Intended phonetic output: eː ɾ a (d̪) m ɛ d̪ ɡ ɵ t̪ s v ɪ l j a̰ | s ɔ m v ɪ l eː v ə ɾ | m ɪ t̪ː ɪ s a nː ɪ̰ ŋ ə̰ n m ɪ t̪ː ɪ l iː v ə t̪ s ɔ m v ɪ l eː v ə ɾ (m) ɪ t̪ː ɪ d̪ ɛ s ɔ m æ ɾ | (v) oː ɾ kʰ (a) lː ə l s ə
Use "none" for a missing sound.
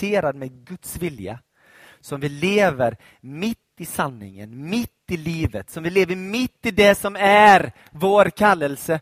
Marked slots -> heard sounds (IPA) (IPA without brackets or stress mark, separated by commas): d̪, m, v, a